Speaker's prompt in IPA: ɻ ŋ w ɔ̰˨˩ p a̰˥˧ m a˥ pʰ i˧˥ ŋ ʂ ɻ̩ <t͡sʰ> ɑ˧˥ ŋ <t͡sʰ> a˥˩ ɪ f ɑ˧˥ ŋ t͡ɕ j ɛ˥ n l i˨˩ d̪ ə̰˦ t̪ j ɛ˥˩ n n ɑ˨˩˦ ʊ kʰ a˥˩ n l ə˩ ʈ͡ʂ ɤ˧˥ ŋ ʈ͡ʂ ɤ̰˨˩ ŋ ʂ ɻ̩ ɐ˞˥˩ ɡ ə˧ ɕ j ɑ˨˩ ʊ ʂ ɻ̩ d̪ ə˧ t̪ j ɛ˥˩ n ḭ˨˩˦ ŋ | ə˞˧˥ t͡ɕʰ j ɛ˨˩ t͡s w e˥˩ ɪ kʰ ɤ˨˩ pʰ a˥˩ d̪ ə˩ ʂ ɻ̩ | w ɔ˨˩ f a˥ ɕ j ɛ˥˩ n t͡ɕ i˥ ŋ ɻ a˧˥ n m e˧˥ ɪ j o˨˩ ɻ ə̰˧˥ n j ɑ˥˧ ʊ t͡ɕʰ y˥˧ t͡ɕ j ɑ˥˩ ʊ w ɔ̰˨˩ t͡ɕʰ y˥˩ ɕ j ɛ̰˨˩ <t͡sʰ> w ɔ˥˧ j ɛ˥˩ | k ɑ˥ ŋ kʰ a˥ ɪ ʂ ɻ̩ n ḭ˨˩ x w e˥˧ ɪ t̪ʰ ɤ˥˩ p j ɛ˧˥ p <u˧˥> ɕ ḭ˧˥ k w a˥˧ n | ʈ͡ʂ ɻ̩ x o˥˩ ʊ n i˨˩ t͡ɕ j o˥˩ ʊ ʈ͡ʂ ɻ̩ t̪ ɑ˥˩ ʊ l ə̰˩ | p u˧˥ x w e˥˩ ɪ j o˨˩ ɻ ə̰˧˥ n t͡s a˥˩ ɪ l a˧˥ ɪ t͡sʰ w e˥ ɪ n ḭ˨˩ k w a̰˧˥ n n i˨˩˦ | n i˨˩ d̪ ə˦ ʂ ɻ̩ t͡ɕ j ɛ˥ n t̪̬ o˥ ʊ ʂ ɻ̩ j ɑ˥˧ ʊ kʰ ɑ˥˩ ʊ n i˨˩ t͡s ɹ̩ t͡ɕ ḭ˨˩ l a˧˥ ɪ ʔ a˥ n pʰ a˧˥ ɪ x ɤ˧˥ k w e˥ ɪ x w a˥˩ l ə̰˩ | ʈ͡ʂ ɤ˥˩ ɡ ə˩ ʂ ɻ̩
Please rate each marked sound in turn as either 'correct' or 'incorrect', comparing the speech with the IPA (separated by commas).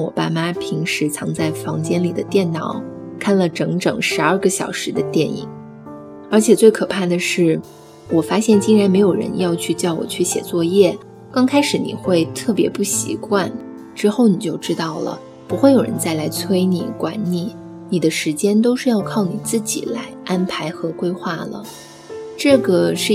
correct, incorrect, incorrect, incorrect